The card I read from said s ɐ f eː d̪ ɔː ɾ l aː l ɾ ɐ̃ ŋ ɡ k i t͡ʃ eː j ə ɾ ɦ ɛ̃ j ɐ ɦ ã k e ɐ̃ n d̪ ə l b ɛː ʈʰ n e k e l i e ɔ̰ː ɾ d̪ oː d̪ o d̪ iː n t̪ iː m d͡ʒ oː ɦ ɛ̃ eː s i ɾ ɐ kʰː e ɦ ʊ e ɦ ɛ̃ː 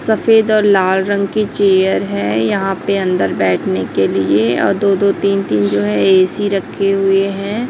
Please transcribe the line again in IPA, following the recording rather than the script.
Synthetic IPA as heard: s ɐ f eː d̪ ɔː ɾ l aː l ɾ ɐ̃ ŋ ɡ k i t͡ʃ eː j ə ɾ ɦ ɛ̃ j ɐ ɦ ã p e ɐ̃ n d̪ ə ɾ b ɛː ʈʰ n e k e l i e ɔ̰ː ɾ d̪ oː d̪ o t̪ iː n t̪ iː n d͡ʒ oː ɦ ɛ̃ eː s i ɾ ɐ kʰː e ɦ ʊ e ɦ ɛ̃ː